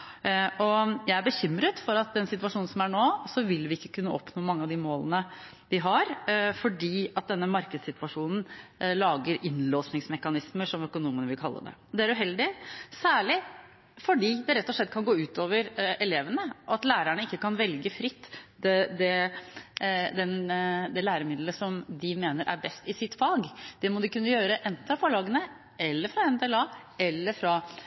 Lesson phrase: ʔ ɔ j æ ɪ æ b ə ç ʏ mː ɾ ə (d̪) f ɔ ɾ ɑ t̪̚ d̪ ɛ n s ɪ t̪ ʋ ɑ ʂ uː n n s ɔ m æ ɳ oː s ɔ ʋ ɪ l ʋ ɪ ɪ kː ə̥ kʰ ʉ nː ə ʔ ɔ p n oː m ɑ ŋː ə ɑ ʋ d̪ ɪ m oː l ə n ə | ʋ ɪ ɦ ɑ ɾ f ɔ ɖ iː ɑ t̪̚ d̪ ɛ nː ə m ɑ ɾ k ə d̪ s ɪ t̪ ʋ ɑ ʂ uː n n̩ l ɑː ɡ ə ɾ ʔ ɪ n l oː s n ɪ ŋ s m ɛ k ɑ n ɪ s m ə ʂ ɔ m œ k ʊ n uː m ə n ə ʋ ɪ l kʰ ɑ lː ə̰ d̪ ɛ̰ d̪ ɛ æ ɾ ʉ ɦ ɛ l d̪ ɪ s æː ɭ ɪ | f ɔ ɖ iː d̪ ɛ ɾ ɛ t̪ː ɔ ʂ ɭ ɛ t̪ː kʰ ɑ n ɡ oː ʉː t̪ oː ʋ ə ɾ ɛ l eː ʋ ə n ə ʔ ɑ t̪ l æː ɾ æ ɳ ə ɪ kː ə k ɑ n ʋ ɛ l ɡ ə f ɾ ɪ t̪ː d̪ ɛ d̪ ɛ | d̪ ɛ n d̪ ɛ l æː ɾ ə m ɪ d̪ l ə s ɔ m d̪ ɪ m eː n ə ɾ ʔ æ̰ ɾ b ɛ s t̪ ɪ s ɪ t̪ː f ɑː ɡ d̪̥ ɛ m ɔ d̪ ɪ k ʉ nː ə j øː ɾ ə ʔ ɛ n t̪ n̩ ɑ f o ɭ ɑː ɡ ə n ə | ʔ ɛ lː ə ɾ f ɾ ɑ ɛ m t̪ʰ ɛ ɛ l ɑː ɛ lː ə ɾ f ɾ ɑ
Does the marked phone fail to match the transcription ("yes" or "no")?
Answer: yes